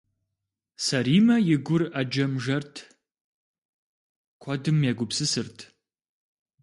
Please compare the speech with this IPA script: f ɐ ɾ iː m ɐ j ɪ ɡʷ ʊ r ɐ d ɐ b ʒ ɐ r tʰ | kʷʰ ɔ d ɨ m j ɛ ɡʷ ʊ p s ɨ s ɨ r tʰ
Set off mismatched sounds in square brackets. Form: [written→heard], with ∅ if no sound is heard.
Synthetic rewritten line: [f→s] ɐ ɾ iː m ɐ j ɪ ɡʷ ʊ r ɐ [d→d͡ʒ] ɐ [b→m] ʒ ɐ r tʰ | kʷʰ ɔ d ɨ m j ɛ ɡʷ ʊ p s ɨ s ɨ r tʰ